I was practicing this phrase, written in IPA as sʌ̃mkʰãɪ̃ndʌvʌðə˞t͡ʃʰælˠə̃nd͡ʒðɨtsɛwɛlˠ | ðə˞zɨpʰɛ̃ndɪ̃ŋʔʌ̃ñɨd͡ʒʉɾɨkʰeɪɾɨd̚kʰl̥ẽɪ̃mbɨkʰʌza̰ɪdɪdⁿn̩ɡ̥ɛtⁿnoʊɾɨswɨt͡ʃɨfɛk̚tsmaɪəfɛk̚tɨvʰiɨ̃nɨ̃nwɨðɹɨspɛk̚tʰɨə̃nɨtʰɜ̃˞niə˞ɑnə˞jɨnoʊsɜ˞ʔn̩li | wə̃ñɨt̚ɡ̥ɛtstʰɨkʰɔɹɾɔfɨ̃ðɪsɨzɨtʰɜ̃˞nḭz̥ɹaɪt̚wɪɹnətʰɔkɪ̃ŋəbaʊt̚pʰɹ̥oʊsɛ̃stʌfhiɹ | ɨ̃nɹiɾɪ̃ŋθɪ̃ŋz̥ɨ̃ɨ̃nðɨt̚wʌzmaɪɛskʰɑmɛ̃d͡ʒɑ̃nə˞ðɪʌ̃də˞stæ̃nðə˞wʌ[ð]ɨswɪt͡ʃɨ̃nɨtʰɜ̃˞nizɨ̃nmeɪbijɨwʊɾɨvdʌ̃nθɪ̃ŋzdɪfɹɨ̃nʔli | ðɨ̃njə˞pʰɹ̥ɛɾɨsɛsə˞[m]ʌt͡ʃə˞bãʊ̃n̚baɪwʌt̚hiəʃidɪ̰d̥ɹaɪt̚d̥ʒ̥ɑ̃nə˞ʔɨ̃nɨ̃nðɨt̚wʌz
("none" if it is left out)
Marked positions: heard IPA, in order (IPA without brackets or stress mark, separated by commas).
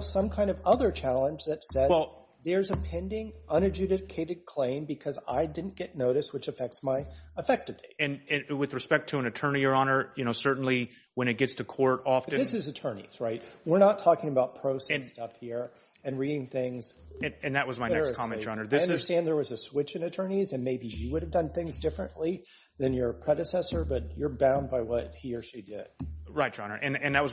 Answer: z, b